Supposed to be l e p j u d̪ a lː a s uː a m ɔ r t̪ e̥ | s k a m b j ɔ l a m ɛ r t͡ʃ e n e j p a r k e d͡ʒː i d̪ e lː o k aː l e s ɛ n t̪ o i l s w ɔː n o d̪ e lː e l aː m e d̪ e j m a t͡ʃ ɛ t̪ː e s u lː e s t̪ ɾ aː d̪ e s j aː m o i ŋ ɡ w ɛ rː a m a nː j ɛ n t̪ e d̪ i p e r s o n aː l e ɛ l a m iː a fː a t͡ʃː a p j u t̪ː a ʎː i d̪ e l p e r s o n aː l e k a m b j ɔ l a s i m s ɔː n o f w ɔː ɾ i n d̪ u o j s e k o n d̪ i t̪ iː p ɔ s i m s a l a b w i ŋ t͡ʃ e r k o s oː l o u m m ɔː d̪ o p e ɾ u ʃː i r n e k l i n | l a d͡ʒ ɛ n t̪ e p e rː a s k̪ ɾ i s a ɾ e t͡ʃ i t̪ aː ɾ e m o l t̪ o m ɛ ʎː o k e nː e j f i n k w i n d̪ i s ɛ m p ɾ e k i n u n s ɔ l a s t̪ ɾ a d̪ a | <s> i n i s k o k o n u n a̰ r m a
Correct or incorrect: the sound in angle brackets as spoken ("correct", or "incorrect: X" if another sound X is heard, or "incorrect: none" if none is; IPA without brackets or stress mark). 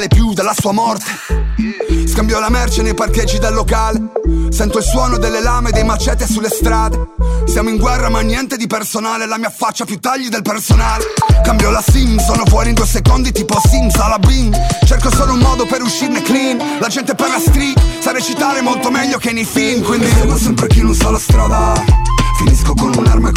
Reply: incorrect: f